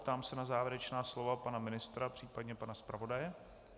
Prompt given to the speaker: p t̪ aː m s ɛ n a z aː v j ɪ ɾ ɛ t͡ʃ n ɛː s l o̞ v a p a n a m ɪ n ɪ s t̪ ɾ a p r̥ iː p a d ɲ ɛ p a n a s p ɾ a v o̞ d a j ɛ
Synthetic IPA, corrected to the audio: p t̪ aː m s ɛ n a z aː v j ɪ ɾ ɛ t͡ʃ n aː s l o̞ v a p a n a m ɪ n ɪ s t̪ ɾ a p r̥ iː p a d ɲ ɛ p a n a s p ɾ a v o̞ d a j ɛ